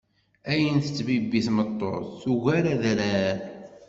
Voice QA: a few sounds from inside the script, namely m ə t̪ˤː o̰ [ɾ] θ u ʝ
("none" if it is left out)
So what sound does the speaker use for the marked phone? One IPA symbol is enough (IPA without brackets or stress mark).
ɾ